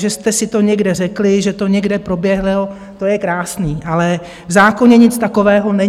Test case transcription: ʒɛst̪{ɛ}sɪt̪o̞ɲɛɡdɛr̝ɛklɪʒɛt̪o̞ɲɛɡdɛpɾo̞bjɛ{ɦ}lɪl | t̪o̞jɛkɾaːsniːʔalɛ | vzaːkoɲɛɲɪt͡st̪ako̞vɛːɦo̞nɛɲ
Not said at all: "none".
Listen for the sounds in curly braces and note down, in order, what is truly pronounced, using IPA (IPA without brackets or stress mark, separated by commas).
ɛ, ɦ